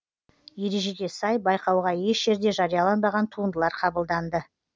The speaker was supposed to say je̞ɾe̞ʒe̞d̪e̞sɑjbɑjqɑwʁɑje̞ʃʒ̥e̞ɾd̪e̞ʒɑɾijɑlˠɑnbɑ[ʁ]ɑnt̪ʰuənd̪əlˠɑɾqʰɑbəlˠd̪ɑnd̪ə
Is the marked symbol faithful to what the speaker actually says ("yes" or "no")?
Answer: yes